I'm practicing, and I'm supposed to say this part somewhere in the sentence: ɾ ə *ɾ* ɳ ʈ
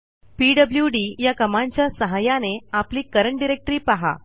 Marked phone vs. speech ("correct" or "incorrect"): incorrect